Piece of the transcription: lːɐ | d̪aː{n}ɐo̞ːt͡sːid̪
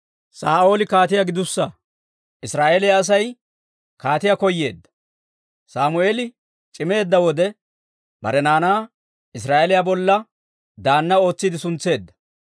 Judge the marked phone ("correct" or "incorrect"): incorrect